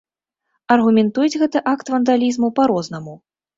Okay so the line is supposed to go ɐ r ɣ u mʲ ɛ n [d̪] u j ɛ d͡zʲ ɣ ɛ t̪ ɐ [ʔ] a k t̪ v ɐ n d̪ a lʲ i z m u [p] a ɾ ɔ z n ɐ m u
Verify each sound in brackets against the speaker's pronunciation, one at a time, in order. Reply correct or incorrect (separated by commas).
incorrect, correct, correct